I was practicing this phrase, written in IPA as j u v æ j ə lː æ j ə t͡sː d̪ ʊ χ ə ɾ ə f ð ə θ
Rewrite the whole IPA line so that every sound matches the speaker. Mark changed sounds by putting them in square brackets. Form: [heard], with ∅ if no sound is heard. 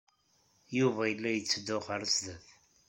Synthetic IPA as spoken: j u v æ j ə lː æ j ə t͡sː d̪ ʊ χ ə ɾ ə [s] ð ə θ